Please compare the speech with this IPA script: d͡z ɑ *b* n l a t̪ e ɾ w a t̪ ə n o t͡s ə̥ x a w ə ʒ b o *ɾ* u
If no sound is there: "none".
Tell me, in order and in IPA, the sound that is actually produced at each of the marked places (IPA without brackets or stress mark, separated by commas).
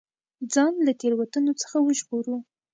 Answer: none, ɾ